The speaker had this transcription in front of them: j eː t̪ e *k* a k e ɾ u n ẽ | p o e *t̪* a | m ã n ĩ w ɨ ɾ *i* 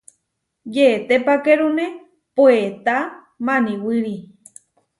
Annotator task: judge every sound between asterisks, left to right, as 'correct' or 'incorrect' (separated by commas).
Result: incorrect, correct, correct